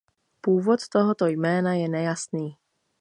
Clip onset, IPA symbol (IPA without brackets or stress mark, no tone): p